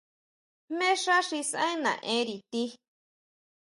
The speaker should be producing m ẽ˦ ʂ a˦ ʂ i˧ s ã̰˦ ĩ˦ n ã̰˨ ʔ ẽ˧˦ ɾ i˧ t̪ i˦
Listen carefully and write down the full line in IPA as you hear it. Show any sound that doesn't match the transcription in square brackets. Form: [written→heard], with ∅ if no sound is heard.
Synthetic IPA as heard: m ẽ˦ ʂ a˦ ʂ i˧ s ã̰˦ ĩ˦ n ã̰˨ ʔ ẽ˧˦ ɾ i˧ t̪ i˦